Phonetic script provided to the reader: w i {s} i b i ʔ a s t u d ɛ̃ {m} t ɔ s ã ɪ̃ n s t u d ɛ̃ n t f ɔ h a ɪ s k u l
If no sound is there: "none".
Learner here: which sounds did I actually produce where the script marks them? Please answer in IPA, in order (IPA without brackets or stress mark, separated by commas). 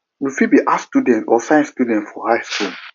f, n